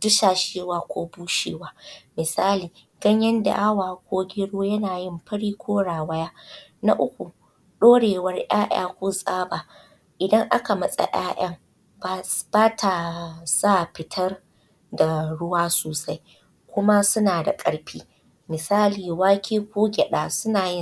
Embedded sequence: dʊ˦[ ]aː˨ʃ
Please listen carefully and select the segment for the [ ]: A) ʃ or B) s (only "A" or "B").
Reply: A